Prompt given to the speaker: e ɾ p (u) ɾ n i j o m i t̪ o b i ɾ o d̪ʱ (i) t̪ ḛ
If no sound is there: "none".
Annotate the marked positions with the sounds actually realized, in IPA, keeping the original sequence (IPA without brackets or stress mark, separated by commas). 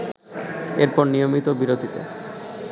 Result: ɔ, i